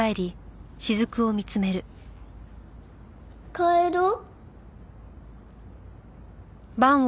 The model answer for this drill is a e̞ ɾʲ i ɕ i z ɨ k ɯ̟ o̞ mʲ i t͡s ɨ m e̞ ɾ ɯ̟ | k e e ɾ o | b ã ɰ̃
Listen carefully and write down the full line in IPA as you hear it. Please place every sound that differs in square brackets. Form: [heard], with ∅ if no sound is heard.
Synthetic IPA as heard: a e̞ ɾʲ i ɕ i z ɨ k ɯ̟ o̞ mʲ i t͡s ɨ m e̞ ɾ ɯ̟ | k [a] e ɾ o | b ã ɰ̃